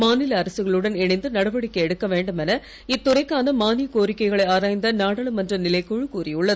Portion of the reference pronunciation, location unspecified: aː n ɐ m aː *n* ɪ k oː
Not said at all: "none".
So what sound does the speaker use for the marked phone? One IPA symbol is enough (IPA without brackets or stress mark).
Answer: n